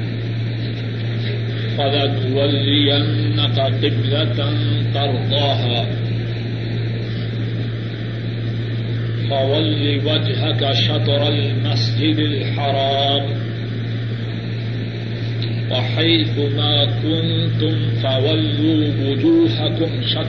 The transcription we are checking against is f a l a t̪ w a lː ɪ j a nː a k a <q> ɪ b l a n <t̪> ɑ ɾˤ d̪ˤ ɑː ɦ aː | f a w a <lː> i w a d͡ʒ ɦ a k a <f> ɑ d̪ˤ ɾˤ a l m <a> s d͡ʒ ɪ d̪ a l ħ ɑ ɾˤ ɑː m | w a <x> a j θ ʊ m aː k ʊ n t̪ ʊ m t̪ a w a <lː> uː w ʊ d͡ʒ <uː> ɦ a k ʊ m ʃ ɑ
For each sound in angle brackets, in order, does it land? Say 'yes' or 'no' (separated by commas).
yes, yes, yes, no, yes, no, yes, yes